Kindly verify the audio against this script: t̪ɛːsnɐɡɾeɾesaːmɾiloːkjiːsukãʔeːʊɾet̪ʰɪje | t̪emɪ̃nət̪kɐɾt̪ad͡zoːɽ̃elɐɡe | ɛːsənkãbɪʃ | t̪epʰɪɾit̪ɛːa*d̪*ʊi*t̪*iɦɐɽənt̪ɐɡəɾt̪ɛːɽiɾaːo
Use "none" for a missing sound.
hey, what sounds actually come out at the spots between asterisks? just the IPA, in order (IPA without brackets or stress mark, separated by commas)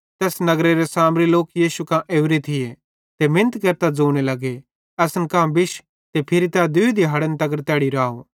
d̪, d̪